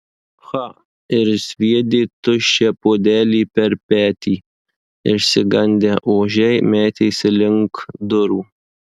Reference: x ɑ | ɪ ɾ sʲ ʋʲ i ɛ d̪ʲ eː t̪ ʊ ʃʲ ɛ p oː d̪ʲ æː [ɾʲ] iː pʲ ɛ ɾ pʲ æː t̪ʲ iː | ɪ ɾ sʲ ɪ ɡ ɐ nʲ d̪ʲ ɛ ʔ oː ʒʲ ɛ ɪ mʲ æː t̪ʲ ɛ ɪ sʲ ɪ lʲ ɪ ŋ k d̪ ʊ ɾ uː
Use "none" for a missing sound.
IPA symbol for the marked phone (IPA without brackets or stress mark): lʲ